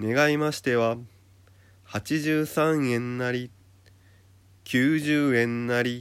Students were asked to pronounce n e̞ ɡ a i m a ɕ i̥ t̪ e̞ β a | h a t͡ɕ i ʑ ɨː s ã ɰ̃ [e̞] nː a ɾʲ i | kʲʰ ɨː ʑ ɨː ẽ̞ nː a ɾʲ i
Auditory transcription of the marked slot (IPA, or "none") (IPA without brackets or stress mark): ẽ̞